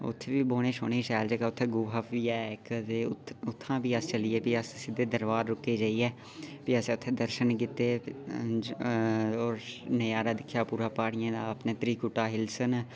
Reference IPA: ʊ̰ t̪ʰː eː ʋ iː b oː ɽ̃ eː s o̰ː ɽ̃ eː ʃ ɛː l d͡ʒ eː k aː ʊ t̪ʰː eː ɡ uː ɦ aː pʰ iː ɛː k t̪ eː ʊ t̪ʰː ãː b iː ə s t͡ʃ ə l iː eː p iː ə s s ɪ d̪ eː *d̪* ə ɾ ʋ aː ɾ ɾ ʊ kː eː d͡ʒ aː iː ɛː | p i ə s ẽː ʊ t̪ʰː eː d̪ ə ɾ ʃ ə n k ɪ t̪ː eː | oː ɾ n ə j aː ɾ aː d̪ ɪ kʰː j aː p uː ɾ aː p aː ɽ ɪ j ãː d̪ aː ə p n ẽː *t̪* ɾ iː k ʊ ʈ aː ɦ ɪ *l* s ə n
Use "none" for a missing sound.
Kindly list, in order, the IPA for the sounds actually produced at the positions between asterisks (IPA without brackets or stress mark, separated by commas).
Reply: d̪, t̪, l